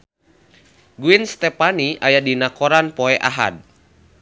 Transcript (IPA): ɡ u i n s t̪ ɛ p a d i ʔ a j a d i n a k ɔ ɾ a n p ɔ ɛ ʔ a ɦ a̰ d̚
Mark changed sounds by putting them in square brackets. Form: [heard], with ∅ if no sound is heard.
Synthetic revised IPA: ɡ u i n s t̪ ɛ p a [n] i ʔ a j a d i n a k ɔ ɾ a n p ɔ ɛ ʔ a ɦ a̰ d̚